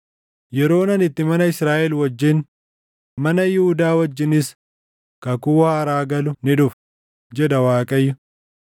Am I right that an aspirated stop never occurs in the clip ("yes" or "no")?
yes